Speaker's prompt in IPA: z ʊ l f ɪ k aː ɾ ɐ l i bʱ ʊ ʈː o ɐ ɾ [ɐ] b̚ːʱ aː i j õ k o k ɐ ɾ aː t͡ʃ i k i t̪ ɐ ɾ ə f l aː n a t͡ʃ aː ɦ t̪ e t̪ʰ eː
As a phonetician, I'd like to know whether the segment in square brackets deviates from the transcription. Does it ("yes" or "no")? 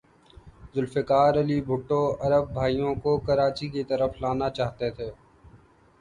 yes